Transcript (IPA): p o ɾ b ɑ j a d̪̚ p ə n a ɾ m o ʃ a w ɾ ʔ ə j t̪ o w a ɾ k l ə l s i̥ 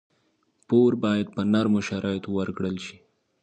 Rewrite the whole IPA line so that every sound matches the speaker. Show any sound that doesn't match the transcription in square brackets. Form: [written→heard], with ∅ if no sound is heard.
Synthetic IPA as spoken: p o ɾ b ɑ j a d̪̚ p ə n a ɾ m o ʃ a [w→∅] ɾ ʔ [ə→ɑ] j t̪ o w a ɾ k [l→ɽ] ə l [s→ʃ] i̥